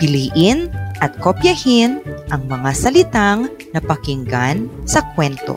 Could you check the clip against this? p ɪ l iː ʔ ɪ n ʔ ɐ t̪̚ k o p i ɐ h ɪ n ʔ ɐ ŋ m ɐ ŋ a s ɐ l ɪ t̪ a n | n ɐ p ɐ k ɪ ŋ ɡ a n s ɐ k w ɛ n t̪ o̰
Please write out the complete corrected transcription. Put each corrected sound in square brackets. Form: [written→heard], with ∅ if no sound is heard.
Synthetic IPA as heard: p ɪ l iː ʔ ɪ n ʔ ɐ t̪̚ k o p [i→j] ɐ h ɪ n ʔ ɐ ŋ m ɐ ŋ a s ɐ l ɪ t̪ a [n→ŋ] | n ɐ p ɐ k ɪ ŋ ɡ a n s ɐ k w ɛ n t̪ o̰